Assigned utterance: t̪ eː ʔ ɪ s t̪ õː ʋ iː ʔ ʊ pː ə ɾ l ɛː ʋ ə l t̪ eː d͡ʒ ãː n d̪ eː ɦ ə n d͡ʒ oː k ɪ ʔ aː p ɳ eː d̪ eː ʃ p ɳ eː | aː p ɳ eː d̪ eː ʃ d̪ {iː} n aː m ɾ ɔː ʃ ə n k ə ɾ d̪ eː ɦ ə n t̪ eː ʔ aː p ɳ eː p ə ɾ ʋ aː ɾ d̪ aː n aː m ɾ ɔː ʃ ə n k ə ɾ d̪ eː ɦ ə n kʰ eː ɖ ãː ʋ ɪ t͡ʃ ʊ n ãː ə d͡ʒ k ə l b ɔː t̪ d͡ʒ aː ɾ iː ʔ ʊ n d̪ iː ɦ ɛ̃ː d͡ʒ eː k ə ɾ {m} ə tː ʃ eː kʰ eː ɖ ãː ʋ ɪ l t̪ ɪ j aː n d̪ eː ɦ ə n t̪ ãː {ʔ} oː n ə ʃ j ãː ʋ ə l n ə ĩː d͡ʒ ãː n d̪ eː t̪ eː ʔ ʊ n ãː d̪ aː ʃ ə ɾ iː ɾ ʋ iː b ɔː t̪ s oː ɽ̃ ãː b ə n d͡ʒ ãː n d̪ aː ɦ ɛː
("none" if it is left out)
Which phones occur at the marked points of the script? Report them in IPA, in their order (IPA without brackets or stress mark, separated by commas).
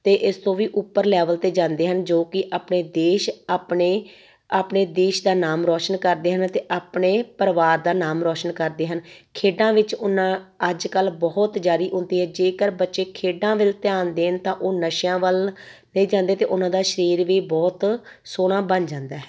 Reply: aː, b, ʔ